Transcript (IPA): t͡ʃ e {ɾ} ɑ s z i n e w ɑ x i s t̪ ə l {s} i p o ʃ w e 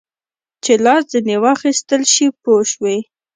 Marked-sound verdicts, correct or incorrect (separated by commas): incorrect, incorrect